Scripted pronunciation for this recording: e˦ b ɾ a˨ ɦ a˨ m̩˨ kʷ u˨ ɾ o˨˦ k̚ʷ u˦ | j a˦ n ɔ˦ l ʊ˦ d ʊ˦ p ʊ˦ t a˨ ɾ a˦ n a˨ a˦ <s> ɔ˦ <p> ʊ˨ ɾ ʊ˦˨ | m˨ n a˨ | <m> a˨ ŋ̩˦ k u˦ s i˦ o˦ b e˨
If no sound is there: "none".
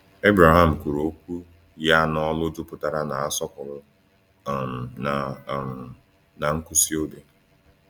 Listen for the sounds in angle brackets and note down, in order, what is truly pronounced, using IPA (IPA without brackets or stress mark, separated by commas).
s, k, n